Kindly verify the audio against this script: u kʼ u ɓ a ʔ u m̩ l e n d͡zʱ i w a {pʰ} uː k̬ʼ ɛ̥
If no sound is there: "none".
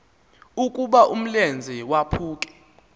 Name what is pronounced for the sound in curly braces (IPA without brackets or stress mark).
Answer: pʰ